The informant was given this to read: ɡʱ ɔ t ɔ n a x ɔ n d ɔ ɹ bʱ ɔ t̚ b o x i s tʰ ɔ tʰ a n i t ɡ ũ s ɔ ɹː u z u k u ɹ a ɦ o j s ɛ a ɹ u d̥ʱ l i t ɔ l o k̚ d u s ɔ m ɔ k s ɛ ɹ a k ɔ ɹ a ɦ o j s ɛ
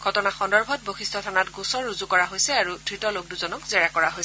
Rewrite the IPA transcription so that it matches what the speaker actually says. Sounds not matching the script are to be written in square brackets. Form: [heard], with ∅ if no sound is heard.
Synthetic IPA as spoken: ɡʱ ɔ t ɔ n a x ɔ n d ɔ ɹ bʱ ɔ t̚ b o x i s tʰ ɔ tʰ a n [a] t ɡ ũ s ɔ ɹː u z u k [ɔ] ɹ a ɦ o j s ɛ a ɹ u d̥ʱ [ɹ] i t ɔ l o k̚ d u [z] ɔ [n] ɔ k [z] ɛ ɹ a k ɔ ɹ a ɦ o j s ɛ